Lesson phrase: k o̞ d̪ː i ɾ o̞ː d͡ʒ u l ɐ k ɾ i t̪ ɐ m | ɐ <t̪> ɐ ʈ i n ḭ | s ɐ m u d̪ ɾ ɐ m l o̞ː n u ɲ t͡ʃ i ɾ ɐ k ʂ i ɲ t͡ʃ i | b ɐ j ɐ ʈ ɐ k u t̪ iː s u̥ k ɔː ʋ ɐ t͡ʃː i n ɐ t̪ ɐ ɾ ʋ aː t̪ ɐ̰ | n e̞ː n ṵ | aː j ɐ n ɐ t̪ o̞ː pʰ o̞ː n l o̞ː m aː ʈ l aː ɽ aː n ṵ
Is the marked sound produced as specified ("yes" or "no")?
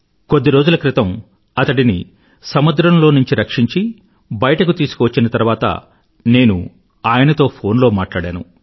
yes